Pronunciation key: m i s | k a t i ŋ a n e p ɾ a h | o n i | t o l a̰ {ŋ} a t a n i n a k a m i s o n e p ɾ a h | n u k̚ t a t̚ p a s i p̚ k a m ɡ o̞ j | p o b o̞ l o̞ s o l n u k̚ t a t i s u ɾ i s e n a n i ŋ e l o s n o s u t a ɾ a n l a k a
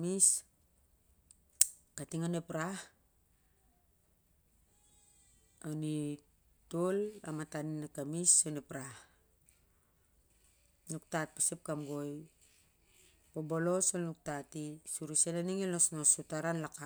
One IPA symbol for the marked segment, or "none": m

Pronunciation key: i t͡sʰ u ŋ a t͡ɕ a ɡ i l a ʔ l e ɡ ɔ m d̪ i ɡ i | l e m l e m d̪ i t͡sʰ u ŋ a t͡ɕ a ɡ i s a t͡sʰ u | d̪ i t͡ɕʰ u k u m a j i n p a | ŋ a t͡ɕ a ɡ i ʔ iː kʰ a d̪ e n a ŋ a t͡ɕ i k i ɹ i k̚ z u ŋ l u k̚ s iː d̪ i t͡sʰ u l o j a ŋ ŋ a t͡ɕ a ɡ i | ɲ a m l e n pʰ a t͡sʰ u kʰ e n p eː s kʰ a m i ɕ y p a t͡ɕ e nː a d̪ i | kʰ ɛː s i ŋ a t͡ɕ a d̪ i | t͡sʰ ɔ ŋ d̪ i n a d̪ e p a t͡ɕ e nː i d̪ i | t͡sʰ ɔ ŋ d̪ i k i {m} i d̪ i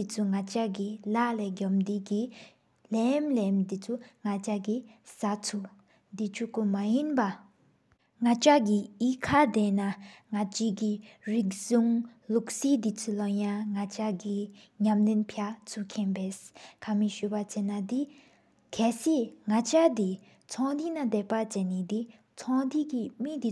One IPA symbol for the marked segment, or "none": m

